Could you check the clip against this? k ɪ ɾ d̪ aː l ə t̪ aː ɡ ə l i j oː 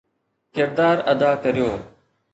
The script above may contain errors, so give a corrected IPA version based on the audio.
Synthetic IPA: k ɪ ɾ d̪ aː ɾ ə d̪ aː k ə ɾ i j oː